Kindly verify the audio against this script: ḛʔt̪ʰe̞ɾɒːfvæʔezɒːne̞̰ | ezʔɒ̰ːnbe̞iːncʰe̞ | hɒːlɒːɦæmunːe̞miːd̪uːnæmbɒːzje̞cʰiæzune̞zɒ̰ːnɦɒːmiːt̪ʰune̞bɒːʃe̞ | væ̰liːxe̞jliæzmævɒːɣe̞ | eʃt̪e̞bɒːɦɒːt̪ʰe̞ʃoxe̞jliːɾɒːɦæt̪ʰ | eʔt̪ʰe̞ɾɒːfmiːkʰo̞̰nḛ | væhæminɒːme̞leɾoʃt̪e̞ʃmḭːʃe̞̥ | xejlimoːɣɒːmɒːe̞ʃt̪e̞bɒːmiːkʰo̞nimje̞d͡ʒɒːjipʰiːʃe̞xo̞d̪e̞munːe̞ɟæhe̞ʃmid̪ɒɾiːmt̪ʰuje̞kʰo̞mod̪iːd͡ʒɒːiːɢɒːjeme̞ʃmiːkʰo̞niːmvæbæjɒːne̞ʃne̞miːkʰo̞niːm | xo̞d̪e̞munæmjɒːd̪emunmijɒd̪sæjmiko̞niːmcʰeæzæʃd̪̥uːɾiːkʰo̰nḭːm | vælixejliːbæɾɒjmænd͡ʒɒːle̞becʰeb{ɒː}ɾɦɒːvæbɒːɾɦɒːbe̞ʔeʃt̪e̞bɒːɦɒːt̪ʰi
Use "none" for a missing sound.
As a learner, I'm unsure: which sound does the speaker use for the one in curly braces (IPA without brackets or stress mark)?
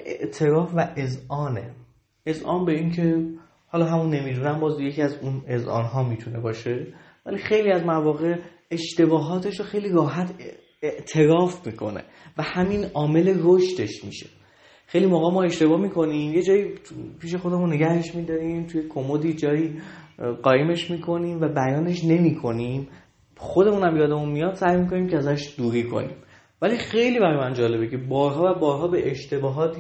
ɒː